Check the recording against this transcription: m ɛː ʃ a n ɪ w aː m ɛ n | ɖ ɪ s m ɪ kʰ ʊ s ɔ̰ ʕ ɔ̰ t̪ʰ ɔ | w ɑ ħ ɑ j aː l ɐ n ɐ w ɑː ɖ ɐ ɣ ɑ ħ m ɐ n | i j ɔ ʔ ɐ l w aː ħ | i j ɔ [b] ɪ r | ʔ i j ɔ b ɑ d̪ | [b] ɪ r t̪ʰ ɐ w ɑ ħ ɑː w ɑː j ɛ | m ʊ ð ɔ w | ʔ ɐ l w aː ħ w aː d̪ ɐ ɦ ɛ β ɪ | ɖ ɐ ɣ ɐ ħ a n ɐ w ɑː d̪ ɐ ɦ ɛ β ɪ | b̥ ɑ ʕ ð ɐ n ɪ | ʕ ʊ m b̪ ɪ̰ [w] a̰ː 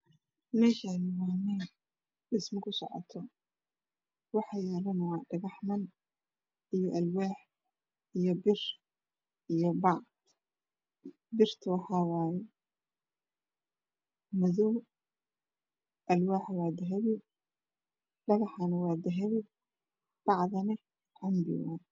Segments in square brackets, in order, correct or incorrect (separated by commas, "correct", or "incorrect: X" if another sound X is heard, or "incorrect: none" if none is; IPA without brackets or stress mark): correct, correct, correct